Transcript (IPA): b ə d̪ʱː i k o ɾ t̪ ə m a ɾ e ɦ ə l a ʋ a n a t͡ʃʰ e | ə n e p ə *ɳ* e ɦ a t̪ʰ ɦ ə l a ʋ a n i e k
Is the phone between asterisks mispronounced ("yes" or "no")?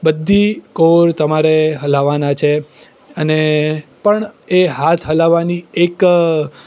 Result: no